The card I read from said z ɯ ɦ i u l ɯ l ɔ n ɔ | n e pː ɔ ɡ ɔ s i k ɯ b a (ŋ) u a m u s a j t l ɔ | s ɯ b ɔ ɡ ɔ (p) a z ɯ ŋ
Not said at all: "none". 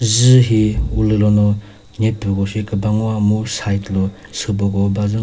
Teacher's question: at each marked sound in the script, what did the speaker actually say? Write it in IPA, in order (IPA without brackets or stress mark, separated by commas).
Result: ŋ, b